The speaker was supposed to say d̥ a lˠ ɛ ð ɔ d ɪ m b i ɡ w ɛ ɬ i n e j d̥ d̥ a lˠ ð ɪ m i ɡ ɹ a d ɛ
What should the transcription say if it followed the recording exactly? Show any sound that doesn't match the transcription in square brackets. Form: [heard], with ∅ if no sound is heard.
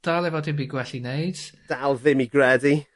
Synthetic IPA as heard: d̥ a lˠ ɛ [v] ɔ d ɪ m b i ɡ w ɛ ɬ i n e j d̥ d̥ a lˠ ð ɪ m i ɡ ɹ [ɛ] d [i]